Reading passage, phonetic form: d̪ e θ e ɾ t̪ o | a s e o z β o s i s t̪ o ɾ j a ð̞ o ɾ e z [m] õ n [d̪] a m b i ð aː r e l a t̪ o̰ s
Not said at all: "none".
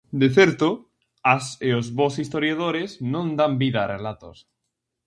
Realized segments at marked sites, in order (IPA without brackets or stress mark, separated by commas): n, d̪